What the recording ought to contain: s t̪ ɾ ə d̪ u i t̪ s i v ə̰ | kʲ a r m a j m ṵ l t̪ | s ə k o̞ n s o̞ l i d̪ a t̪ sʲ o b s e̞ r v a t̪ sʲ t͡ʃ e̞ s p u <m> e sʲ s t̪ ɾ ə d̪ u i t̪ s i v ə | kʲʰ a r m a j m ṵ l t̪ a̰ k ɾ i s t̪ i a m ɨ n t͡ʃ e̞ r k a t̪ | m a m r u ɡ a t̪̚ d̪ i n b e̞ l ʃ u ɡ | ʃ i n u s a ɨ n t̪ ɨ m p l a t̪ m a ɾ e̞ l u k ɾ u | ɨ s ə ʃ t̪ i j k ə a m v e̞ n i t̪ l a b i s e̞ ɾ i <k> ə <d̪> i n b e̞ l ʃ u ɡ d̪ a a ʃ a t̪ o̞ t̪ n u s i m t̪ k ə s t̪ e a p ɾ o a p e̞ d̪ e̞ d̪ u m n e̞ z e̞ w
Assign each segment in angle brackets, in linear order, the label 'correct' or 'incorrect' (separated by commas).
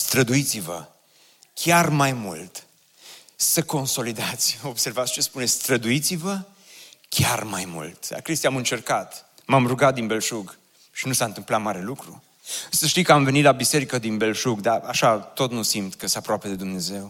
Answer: incorrect, correct, correct